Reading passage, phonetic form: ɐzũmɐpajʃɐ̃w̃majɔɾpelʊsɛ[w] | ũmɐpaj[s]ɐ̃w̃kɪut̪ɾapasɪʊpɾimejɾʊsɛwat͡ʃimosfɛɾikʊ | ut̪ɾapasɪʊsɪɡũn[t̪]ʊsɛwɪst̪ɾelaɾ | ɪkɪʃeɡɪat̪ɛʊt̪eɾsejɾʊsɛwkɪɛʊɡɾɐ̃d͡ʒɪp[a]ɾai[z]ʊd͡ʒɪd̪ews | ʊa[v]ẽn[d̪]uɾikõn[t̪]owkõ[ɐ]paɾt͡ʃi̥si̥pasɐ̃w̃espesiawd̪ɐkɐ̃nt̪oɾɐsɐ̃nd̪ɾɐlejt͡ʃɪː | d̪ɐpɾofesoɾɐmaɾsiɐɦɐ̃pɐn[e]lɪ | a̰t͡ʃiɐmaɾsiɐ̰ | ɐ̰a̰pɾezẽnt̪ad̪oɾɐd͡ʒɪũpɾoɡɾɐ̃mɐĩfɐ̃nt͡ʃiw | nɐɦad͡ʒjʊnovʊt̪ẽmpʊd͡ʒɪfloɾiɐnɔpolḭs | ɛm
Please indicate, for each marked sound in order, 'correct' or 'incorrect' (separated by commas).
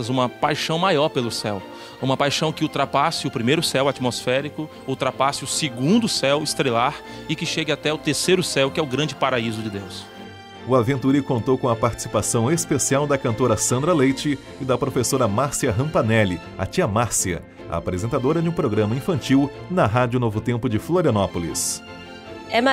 correct, incorrect, incorrect, correct, correct, correct, incorrect, correct, correct, incorrect